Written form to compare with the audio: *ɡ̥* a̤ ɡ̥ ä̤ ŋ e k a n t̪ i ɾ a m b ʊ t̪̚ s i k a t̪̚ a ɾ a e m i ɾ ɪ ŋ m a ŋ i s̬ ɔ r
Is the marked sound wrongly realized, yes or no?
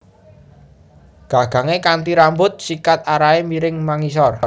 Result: no